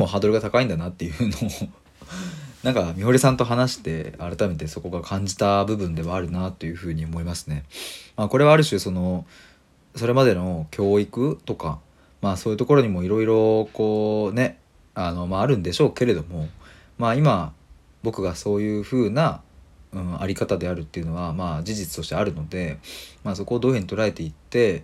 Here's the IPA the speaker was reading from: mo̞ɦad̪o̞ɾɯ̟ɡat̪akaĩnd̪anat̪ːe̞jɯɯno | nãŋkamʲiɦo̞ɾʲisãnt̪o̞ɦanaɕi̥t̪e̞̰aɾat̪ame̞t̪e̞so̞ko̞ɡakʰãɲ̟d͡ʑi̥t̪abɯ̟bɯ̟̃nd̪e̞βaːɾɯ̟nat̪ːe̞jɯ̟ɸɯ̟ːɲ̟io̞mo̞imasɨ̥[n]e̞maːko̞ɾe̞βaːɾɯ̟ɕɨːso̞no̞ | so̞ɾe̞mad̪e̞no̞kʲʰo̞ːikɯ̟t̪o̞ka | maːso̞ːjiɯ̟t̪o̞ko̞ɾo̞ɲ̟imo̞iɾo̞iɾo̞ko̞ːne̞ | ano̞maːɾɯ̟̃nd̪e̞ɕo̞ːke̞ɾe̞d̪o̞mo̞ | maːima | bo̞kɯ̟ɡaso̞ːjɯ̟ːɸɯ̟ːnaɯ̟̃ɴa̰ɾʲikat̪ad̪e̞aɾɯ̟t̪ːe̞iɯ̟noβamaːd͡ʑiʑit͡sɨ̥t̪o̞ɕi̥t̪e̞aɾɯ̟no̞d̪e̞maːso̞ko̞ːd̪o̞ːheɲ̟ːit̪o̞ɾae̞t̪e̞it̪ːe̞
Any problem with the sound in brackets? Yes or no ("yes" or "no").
no